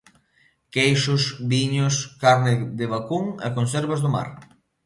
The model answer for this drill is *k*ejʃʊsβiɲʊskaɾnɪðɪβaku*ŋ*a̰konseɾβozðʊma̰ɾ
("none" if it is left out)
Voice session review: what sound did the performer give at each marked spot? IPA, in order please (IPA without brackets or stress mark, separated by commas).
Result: k, ŋ